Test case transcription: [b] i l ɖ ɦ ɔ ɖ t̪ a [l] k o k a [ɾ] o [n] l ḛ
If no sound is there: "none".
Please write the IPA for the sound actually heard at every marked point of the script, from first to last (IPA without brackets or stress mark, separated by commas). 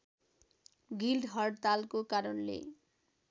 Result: ɡ, l, ɾ, n